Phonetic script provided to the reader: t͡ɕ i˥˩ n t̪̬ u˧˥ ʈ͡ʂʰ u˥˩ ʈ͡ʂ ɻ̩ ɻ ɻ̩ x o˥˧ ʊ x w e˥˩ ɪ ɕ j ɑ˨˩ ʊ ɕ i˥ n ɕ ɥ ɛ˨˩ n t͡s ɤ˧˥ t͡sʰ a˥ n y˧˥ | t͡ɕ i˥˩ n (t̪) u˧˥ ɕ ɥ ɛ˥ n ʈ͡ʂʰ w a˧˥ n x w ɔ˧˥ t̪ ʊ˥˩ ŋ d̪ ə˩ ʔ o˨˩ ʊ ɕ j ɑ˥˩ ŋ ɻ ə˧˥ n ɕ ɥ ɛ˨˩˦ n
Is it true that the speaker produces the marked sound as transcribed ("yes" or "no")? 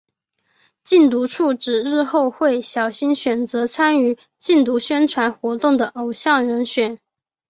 yes